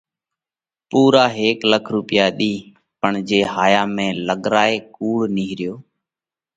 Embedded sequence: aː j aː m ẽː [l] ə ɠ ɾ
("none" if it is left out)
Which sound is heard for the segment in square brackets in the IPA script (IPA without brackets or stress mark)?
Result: l